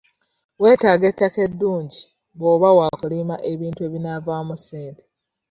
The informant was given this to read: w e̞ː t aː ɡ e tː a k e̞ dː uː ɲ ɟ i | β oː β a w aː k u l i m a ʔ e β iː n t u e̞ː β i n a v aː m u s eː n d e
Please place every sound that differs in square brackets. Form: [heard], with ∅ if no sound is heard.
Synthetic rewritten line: w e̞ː t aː ɡ e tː a k e̞ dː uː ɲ ɟ i | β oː β a w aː k u l i m a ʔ e β iː n t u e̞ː β i n a v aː m u s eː n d e